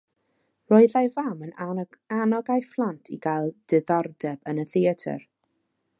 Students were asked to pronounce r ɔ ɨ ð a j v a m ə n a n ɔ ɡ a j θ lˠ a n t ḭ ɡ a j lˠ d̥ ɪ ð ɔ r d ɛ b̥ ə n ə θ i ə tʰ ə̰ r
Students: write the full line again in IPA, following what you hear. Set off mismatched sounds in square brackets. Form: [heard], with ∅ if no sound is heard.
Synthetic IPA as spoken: r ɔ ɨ ð a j v a m ə n a n ɔ ɡ a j [f] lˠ a n [tʰ] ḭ ɡ a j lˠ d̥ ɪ ð ɔ r d ɛ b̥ ə n ə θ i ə tʰ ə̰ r